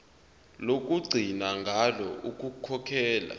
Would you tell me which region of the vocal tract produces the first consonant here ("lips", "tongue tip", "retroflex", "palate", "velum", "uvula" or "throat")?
tongue tip